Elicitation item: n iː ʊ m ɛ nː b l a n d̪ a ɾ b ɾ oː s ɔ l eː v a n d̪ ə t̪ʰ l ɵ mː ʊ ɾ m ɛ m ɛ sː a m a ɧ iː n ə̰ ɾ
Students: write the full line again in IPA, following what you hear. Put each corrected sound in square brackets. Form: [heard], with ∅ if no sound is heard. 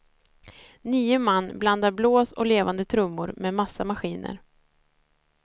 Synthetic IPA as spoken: n iː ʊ m [a] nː b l a n d̪ a ɾ b [l] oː s ɔ l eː v a n d̪ ə t̪ʰ [ɾ] ɵ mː ʊ ɾ m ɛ m [a] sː a m a ɧ iː n ə̰ ɾ